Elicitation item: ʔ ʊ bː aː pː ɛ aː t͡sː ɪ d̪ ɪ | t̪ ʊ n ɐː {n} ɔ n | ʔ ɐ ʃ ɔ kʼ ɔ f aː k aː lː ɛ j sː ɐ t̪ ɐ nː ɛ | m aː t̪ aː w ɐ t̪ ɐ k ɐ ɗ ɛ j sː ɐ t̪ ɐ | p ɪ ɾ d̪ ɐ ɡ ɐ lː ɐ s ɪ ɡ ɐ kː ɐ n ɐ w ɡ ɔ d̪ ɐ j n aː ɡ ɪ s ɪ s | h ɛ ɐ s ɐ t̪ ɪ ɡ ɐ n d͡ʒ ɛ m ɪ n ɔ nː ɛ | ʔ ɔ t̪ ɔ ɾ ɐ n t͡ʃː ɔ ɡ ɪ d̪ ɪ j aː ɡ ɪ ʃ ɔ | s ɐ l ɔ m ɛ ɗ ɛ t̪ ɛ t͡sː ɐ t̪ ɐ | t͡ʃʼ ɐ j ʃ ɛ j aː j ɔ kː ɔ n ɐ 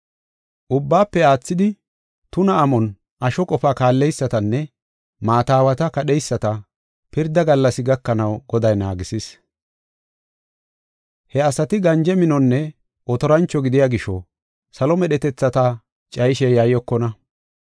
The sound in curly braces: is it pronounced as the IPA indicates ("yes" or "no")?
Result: no